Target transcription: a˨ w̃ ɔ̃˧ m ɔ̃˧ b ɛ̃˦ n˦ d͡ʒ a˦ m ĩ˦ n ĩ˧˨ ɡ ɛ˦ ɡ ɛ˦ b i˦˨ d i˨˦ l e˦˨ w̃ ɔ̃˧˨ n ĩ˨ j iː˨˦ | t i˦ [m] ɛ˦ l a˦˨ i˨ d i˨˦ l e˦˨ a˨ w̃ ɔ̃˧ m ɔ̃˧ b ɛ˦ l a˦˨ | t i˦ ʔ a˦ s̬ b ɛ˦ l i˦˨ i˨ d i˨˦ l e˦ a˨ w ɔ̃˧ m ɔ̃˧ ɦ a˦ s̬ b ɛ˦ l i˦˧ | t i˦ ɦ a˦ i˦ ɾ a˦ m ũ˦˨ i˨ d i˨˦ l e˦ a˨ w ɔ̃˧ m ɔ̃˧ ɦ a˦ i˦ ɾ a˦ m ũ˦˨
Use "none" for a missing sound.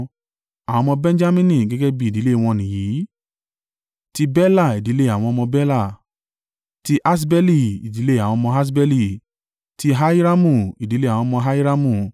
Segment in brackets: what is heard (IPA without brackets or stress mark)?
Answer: b